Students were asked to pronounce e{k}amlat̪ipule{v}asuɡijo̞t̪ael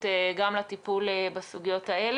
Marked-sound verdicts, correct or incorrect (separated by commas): incorrect, incorrect